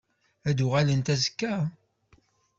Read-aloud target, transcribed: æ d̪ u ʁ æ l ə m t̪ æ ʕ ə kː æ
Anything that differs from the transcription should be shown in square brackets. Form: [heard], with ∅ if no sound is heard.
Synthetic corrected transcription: æ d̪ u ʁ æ l ə [n] t̪ æ [z] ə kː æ